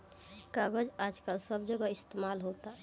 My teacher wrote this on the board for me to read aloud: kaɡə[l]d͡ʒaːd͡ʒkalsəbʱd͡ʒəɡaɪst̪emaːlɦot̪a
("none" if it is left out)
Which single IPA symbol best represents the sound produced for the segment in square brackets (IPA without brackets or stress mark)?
none